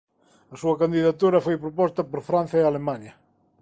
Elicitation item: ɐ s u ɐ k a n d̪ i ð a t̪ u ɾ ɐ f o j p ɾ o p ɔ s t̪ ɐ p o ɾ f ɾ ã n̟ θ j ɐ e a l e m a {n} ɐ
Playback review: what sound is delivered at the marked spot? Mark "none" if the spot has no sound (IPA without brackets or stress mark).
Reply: ɲ